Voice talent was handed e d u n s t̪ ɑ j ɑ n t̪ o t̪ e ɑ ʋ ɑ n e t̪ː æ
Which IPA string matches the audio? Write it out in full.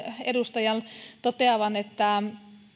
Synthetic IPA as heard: e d u s t̪ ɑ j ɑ n t̪ o t̪ e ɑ ʋ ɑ n e t̪ː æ